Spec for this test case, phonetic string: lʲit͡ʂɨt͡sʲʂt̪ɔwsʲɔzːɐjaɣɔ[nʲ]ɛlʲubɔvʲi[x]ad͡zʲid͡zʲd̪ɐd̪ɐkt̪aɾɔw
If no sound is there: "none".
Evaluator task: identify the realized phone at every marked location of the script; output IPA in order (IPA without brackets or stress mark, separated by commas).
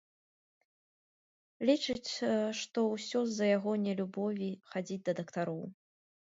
nʲ, x